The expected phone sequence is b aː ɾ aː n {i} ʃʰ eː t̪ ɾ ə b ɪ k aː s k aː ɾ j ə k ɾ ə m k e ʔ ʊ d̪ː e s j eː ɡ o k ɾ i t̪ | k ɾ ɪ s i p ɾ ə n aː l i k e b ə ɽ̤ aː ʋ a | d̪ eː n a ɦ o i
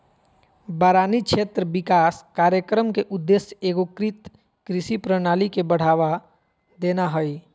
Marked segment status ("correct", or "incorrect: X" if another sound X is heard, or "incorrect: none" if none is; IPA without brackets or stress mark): correct